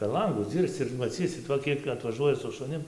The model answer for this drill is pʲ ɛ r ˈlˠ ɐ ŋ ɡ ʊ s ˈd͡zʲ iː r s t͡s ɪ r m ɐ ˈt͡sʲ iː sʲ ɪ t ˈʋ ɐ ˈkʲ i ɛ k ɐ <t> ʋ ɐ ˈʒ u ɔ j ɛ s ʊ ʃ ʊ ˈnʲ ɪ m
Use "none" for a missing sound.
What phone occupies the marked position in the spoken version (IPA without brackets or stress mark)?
t